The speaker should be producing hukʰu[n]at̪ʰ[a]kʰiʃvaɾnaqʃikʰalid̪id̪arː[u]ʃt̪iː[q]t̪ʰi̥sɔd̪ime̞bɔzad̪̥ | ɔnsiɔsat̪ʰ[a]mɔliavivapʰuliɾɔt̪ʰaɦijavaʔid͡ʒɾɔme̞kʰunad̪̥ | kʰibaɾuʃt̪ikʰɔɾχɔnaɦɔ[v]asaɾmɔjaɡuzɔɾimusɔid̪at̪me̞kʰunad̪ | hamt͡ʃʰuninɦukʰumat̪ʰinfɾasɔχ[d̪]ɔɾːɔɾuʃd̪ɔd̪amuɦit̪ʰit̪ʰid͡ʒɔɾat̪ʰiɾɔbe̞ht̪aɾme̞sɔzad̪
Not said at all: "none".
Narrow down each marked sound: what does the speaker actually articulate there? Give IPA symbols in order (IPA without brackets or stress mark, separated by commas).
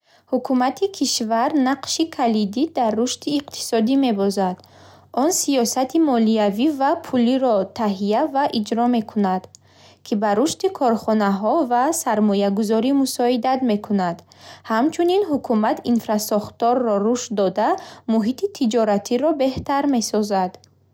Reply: m, i, u, q, i, v, t̪